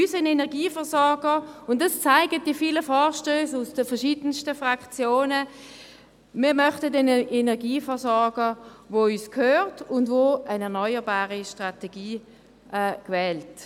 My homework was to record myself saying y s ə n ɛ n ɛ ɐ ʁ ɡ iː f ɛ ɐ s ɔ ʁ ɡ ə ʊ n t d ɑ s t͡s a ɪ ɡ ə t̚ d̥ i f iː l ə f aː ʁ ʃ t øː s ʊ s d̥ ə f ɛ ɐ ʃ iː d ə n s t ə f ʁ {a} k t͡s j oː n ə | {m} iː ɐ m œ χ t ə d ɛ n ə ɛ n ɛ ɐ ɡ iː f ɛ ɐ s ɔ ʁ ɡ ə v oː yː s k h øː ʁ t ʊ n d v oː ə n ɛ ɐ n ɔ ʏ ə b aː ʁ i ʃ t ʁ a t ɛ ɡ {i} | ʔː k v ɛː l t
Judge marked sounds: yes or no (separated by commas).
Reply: yes, yes, no